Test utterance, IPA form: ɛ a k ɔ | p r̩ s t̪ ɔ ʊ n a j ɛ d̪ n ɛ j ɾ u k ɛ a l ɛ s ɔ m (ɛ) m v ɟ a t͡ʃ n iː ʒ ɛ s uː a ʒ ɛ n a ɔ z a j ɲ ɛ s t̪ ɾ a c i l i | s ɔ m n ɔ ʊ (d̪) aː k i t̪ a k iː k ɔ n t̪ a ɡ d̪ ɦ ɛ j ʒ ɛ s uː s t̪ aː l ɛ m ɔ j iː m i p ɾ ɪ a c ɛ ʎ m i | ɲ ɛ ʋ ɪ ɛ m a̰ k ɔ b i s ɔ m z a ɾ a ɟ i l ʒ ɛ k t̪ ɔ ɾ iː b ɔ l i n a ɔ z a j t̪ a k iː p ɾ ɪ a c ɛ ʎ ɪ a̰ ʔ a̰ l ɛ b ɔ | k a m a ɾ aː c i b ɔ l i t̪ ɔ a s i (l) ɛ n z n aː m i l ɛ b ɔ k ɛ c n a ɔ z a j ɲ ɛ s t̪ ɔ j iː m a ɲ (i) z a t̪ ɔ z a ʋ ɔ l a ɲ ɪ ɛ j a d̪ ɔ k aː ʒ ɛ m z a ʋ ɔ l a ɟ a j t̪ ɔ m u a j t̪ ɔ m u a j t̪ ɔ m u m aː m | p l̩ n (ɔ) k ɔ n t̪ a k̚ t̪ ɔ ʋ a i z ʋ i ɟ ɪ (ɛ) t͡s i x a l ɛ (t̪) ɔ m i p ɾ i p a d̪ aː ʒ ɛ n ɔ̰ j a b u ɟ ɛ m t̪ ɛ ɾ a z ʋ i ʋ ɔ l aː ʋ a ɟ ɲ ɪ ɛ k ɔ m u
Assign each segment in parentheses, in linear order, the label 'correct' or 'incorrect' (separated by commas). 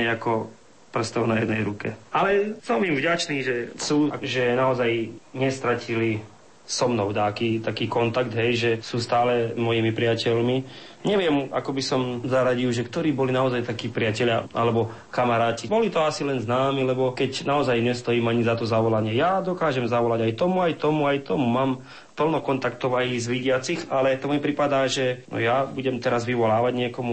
incorrect, correct, correct, correct, correct, incorrect, correct